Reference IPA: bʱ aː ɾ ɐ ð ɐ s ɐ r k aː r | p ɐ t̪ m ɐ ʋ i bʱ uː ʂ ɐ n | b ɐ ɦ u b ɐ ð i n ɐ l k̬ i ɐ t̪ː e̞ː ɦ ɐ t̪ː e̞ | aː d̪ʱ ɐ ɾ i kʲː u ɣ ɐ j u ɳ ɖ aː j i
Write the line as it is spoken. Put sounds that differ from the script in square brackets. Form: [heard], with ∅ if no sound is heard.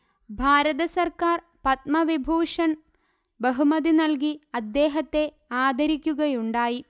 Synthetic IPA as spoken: bʱ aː ɾ ɐ ð ɐ s ɐ r k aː r | p ɐ t̪ m ɐ ʋ i bʱ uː ʂ ɐ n | b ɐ ɦ u [m] ɐ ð i n ɐ l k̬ i ɐ [d̪ː] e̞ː ɦ ɐ t̪ː e̞ | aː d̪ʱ ɐ ɾ i kʲː u ɣ ɐ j u ɳ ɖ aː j i